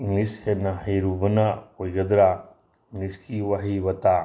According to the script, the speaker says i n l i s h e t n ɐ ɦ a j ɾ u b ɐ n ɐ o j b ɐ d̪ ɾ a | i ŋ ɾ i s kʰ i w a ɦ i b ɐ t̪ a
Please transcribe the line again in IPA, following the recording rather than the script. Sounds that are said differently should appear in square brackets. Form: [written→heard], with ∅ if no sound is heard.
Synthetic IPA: i [n→ŋ] l i s h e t n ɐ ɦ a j ɾ u b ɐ n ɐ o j [b→ɡ] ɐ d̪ ɾ a | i ŋ [ɾ→l] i s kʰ i w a ɦ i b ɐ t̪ a